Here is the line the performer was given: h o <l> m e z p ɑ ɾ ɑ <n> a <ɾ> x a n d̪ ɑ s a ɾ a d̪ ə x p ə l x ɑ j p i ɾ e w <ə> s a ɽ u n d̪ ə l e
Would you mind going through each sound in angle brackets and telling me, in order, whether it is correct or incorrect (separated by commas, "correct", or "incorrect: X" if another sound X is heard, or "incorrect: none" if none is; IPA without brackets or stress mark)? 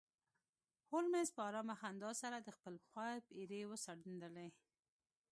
correct, incorrect: m, incorrect: none, correct